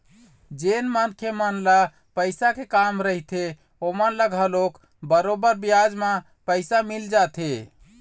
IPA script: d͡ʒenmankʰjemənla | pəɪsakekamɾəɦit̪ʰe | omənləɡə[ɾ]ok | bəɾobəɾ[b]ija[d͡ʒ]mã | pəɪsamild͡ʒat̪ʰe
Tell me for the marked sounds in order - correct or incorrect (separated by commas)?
incorrect, correct, correct